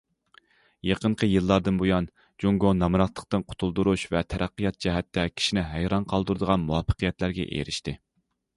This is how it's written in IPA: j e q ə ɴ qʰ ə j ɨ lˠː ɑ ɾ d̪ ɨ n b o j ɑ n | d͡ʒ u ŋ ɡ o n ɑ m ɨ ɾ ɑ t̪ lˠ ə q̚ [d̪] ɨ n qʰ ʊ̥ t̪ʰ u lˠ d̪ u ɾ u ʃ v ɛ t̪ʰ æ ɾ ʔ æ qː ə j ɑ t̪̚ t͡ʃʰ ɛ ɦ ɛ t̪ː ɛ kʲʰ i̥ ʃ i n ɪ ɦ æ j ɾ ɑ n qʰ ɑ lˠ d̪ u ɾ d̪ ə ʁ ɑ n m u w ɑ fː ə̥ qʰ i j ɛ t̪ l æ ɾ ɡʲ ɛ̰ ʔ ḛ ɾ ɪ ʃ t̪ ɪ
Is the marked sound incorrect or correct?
incorrect